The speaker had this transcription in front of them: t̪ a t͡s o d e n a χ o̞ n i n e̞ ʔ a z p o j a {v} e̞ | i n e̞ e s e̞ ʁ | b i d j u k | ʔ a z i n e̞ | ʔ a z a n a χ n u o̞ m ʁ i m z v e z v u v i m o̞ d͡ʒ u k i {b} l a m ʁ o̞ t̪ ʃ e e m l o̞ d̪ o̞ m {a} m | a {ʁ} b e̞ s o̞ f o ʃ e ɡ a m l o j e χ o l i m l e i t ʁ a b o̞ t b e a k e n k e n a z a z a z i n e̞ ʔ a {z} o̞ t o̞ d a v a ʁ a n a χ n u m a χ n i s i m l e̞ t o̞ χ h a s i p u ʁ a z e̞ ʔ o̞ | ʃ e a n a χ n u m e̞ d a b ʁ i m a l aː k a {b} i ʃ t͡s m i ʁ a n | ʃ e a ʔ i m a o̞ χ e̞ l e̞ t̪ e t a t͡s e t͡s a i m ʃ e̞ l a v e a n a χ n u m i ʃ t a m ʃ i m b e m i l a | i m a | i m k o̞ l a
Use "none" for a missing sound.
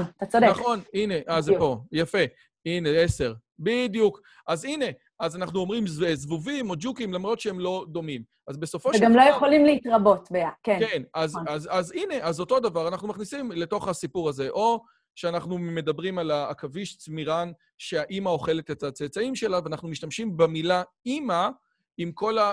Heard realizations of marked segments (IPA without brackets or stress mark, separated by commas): f, m, i, z, z, v